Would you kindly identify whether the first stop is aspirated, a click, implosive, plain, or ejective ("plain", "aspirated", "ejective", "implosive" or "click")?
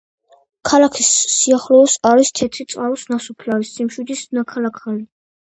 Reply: aspirated